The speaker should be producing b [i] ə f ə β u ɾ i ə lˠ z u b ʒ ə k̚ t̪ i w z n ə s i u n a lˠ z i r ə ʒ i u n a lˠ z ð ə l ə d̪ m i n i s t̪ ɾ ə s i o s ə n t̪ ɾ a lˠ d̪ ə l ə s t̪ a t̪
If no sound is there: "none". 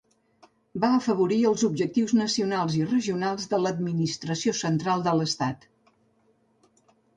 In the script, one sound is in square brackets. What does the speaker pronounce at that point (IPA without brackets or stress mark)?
a